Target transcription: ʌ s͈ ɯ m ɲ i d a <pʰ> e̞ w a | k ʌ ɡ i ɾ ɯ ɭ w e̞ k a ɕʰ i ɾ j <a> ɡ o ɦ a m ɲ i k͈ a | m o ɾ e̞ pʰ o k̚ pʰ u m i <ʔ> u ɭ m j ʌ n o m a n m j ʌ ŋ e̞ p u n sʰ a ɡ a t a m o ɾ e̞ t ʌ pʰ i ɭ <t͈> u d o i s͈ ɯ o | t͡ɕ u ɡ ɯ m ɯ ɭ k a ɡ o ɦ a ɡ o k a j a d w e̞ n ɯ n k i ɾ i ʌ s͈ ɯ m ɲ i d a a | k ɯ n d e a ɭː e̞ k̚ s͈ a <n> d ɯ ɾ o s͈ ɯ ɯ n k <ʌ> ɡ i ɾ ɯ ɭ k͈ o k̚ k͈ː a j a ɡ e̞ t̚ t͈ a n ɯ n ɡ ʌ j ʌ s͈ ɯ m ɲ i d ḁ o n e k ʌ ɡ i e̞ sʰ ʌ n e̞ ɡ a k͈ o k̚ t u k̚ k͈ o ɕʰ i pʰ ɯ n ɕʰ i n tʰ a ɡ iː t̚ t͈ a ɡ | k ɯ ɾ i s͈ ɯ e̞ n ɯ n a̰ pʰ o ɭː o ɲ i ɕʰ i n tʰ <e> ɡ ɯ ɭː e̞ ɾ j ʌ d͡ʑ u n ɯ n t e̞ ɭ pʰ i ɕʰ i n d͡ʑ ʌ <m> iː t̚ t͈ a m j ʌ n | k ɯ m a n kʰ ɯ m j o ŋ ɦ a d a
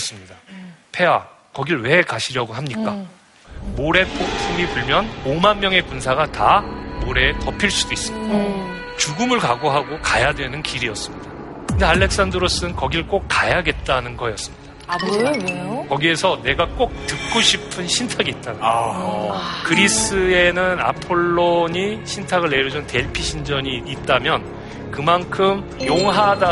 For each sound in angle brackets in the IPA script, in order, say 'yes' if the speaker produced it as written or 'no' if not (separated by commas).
yes, no, no, no, yes, yes, no, no